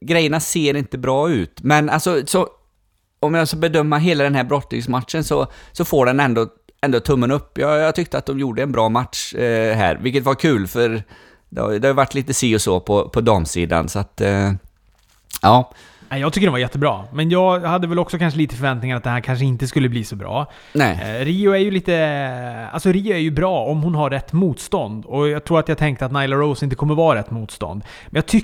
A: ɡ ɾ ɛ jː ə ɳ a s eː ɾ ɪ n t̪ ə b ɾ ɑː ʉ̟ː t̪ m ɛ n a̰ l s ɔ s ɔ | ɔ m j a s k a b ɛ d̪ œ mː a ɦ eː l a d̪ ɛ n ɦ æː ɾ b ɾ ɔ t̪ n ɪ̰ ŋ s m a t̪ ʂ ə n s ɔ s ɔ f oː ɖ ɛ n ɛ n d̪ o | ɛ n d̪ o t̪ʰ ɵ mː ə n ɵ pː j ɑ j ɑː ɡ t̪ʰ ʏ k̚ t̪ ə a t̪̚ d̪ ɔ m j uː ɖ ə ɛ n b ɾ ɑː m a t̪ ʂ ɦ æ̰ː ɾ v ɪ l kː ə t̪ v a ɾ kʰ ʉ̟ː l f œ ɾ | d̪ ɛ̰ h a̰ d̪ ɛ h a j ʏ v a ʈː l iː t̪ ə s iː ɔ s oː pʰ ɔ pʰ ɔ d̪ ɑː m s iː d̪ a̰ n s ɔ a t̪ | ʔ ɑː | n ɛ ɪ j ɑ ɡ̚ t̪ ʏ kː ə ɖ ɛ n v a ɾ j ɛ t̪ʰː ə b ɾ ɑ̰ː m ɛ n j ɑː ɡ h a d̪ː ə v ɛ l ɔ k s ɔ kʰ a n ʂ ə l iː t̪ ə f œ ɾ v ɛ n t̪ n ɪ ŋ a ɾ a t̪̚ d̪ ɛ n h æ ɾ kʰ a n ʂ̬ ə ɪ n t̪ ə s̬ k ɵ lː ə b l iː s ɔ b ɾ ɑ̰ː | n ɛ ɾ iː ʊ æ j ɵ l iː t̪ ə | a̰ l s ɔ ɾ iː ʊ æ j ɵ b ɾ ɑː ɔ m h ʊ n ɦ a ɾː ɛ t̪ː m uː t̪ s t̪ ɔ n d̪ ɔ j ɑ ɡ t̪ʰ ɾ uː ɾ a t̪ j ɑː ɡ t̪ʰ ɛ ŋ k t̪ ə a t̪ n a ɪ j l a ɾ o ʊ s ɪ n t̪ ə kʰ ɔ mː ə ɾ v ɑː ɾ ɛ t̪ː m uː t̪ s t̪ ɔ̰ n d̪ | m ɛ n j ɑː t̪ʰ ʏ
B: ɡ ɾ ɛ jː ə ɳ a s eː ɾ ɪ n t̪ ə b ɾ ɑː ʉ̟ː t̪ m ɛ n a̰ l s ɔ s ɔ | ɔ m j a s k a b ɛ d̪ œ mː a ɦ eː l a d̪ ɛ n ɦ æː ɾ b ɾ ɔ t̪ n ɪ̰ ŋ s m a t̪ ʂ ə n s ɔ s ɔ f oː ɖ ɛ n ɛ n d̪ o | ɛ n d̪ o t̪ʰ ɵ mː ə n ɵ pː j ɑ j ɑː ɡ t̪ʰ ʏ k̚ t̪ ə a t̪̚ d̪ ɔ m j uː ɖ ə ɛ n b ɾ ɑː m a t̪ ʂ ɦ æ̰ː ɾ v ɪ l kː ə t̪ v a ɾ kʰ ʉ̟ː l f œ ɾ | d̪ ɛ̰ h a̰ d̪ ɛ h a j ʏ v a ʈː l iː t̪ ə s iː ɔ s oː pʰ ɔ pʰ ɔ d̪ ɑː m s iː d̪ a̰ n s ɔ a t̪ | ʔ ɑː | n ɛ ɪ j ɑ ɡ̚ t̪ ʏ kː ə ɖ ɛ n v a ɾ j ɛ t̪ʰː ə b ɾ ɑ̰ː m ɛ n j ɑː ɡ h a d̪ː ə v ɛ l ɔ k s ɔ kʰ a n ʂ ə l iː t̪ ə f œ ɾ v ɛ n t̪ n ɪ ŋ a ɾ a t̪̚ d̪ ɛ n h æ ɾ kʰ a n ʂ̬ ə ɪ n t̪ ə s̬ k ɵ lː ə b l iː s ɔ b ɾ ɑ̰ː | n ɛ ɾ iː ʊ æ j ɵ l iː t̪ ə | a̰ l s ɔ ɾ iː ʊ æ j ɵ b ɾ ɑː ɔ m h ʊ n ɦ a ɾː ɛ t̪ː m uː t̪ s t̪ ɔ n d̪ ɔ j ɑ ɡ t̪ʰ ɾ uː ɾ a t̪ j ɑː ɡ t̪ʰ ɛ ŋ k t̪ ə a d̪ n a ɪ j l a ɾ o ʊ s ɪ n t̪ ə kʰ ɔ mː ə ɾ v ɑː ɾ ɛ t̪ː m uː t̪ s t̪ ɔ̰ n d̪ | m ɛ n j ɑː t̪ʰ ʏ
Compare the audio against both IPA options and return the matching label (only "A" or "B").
A